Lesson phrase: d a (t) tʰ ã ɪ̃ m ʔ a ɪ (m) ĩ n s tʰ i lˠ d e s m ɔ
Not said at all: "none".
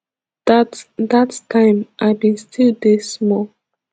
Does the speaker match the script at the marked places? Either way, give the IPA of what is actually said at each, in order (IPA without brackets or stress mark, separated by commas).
t, b